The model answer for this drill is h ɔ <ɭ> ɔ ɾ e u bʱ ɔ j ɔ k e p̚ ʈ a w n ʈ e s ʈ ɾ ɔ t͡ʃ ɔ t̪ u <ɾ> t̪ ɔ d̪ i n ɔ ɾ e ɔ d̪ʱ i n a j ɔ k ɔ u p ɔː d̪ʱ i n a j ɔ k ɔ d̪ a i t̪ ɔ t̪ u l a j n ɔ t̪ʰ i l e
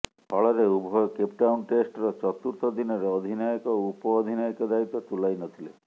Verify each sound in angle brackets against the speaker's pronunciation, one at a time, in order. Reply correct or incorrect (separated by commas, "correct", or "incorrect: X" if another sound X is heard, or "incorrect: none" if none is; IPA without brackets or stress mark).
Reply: correct, correct